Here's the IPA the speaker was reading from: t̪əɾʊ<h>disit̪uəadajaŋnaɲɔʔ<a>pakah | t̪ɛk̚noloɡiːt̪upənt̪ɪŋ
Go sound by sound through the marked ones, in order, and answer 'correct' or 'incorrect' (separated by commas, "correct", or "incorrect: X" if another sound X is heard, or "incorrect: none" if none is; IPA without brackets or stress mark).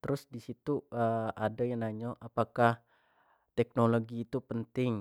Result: incorrect: s, correct